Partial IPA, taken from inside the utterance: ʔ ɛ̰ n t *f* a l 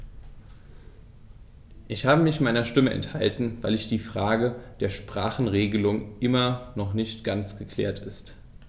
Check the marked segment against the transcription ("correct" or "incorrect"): incorrect